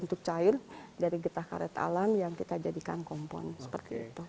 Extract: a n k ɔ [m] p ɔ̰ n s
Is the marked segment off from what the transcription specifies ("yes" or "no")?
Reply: no